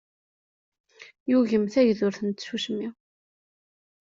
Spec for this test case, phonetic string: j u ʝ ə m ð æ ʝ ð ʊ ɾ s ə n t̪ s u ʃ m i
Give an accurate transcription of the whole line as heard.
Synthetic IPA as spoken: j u ʝ ə m θ æ ʝ ð ʊ ɾ θ ə n t̪ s u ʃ m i